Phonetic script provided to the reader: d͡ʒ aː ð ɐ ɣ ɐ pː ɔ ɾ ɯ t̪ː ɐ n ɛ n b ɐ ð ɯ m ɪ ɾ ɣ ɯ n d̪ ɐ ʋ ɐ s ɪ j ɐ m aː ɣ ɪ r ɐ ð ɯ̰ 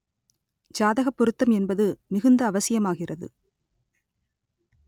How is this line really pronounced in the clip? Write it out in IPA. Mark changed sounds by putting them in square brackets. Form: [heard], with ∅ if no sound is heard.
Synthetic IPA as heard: d͡ʒ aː ð ɐ ɣ ɐ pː ɔ ɾ ɯ t̪ː ɐ [m] ɛ n b ɐ ð ɯ m ɪ [∅] ɣ ɯ n d̪ [ɐː] ʋ ɐ s ɪ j ɐ m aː ɣ ɪ r ɐ ð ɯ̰